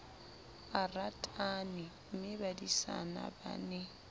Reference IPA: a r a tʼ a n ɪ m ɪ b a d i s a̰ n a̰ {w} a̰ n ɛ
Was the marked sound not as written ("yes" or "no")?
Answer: yes